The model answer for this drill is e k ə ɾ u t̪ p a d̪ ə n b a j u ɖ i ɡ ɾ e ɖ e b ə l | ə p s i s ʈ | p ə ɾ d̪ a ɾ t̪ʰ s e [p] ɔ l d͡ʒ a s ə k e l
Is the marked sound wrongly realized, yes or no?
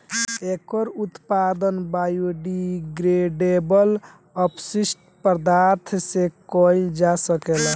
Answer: yes